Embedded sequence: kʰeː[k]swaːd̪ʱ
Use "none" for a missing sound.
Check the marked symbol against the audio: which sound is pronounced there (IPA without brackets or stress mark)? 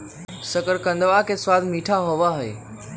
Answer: none